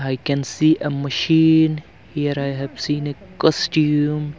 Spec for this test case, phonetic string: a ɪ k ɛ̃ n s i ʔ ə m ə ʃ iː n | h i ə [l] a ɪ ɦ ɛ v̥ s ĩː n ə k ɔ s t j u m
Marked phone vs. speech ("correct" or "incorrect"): incorrect